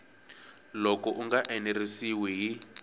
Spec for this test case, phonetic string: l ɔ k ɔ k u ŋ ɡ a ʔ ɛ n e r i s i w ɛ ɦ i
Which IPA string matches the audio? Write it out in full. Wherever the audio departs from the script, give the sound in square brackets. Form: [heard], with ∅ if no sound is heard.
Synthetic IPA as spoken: l ɔ k ɔ [ʔ] u ŋ ɡ a ʔ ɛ n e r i s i w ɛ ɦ i